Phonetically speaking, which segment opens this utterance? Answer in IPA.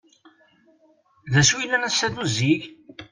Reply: ð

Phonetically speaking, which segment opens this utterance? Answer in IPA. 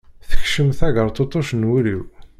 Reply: θ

